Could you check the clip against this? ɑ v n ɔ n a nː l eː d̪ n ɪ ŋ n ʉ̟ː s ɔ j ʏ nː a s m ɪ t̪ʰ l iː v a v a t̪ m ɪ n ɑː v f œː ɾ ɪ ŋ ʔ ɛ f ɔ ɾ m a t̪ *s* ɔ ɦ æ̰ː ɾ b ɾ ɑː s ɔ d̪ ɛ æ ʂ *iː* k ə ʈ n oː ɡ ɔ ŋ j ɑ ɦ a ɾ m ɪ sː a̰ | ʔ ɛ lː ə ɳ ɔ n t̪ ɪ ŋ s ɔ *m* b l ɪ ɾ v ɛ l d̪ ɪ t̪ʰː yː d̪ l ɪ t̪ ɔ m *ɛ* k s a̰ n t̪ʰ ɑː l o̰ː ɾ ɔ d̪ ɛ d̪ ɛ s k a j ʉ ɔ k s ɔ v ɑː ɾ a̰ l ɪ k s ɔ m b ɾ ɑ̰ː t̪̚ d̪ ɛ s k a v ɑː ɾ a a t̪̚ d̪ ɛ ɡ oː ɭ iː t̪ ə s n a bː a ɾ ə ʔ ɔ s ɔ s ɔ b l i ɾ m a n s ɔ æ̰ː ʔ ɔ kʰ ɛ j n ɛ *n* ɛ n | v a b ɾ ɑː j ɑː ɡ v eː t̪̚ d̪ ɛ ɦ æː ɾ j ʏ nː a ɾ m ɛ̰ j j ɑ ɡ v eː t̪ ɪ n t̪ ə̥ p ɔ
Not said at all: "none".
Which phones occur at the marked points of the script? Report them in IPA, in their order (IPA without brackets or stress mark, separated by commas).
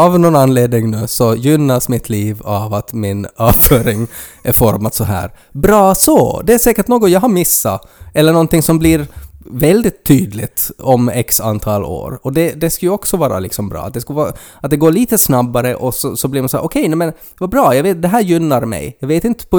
s, ɛː, m, ɛ, m